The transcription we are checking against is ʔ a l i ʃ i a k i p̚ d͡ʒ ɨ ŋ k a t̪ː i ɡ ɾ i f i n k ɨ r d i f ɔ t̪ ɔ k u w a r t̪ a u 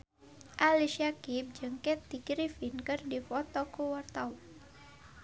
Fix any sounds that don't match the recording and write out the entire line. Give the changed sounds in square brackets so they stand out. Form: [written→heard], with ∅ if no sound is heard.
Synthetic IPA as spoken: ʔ a l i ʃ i a k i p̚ d͡ʒ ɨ ŋ k [a→ɛ] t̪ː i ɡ ɾ i f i n k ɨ r d i f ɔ t̪ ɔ k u w a r t̪ a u